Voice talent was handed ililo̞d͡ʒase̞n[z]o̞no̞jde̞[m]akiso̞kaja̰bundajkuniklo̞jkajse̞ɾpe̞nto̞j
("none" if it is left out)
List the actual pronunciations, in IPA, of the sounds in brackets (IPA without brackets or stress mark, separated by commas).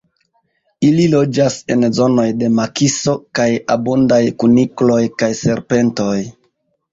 z, m